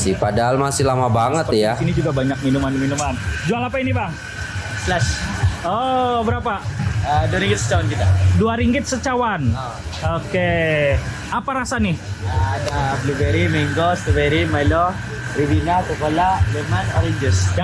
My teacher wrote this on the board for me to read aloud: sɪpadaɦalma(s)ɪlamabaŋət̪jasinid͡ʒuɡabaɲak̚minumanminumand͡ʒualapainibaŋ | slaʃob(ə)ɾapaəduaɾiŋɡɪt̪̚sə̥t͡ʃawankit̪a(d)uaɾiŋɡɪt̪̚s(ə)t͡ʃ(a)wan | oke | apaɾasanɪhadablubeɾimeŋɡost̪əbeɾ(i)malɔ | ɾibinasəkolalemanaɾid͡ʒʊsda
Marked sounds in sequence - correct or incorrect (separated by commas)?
correct, correct, correct, correct, correct, correct